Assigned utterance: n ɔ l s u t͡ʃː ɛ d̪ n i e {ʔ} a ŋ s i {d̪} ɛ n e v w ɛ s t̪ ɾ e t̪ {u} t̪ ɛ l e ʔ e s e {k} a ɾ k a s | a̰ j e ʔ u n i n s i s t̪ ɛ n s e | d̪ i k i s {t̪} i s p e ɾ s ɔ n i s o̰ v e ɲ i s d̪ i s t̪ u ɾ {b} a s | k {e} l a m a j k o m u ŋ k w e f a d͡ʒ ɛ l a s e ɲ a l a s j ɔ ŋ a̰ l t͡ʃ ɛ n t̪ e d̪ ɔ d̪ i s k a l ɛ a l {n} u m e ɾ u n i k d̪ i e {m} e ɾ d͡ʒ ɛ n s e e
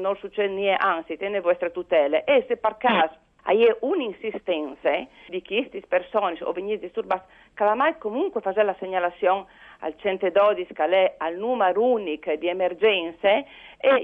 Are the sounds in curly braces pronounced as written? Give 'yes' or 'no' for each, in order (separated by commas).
yes, no, yes, no, yes, yes, no, yes, yes